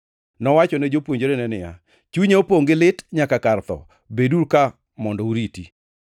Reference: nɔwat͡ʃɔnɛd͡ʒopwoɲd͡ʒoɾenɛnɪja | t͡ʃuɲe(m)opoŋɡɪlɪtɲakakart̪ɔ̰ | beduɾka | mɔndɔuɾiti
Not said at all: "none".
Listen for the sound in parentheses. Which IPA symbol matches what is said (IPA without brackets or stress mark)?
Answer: none